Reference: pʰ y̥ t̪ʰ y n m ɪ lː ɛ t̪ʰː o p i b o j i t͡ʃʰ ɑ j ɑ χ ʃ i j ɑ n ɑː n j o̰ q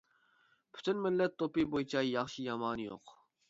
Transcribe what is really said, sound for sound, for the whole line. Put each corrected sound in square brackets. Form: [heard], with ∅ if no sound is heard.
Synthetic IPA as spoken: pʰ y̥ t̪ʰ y n m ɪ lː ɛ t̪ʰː o p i b o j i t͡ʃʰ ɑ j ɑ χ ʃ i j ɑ [m] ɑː n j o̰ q